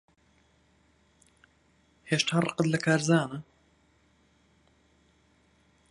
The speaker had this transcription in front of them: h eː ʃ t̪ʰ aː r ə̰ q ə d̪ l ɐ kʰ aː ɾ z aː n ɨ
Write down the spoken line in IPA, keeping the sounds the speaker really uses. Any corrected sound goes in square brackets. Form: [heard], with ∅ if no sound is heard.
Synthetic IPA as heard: h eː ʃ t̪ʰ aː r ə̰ q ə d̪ l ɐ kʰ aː ɾ z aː n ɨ